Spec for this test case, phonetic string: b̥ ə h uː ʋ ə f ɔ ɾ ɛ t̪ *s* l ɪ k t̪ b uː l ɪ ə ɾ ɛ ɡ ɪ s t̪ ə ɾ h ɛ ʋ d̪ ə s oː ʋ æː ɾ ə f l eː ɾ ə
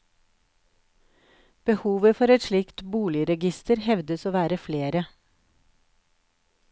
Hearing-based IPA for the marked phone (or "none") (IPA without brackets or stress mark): ʃ